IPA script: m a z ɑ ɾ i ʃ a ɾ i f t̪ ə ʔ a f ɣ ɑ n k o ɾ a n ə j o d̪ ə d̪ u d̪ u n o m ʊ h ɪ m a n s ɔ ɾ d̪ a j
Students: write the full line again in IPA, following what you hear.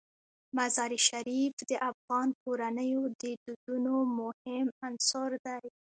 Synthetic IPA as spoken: m a z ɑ ɾ i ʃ a ɾ i f d̪ ə ʔ a f ɣ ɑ n k o ɾ a n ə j o d̪ ə d̪ u d̪ u n o m ʊ h ɪ m a n s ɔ ɾ d̪ a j